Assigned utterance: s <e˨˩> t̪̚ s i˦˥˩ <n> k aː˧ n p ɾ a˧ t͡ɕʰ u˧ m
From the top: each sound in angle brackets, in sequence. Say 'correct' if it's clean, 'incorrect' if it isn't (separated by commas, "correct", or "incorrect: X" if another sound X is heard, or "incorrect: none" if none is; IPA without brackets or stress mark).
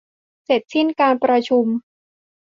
correct, correct